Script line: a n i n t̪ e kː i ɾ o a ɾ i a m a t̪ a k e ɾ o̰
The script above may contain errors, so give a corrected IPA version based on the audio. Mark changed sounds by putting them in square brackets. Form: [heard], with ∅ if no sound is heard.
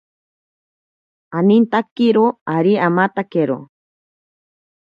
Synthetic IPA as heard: a n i n t̪ [a] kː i ɾ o a ɾ i a m a t̪ a k e ɾ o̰